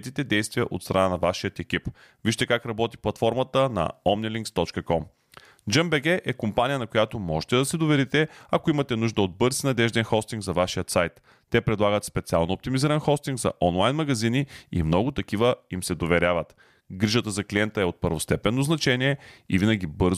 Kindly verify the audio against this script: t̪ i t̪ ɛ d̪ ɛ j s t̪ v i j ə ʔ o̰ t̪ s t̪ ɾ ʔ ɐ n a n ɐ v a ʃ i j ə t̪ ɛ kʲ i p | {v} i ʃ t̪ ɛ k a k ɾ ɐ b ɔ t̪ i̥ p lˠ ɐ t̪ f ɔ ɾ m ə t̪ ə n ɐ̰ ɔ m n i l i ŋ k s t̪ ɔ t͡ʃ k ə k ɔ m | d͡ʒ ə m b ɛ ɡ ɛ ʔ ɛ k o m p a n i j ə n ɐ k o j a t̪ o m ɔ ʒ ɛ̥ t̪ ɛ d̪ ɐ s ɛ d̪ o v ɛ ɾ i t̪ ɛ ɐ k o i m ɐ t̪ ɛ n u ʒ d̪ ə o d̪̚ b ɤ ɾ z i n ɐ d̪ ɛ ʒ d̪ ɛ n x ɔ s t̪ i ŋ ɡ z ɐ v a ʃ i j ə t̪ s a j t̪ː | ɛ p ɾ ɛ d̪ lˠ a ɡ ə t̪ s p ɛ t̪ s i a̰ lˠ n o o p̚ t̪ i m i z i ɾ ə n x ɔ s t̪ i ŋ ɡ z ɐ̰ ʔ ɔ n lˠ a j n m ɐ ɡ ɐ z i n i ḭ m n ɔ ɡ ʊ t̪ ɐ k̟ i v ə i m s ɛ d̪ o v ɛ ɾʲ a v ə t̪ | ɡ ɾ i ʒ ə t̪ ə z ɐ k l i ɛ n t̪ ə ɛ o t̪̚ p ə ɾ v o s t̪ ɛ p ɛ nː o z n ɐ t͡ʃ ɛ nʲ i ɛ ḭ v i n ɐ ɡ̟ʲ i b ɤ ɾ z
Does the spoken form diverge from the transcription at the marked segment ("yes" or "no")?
no